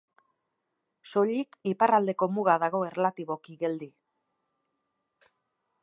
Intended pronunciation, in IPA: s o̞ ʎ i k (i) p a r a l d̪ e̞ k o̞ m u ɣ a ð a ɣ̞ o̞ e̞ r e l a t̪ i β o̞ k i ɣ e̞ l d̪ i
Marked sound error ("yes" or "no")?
no